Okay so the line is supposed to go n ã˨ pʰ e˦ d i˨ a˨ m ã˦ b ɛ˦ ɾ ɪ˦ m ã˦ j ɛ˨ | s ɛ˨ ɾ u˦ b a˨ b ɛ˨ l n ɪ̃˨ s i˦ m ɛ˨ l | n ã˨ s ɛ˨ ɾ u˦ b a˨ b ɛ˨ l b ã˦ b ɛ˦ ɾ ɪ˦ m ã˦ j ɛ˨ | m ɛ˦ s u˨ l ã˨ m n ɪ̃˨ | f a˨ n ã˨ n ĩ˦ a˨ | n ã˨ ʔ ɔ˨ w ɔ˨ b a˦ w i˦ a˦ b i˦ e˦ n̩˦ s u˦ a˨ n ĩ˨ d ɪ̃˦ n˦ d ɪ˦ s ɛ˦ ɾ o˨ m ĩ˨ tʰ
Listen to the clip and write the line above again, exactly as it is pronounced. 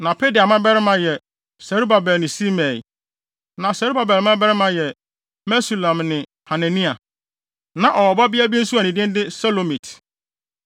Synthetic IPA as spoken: n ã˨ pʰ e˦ d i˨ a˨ m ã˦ b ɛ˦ ɾ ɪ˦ m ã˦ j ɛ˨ | s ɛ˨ ɾ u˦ b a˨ b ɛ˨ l n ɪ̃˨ s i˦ m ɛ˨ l | n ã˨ s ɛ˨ ɾ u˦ b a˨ b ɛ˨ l m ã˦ b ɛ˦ ɾ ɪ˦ m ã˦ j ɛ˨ | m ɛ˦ s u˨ l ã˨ m n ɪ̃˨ | h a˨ n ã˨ n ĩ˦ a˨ | n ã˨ ʔ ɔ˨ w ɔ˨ b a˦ b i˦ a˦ b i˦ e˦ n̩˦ s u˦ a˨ n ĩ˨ d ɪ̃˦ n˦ d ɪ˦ s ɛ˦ l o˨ m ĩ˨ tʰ